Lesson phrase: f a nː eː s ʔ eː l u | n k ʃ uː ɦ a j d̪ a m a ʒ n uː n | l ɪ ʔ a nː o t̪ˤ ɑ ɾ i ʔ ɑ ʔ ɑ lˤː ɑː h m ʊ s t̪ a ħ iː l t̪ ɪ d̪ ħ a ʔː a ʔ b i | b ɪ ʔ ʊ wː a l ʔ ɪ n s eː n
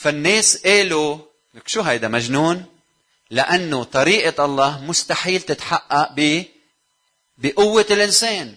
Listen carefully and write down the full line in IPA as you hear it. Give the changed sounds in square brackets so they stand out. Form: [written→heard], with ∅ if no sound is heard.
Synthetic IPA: f a nː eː s ʔ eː l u | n k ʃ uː ɦ a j d̪ a m a ʒ n uː n | l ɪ ʔ a nː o t̪ˤ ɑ ɾ [i→iː] ʔ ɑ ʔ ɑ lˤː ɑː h m ʊ s t̪ a ħ iː l t̪ ɪ [d̪→t̪] ħ a ʔː a ʔ b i | b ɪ ʔ ʊ wː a l ʔ ɪ n s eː n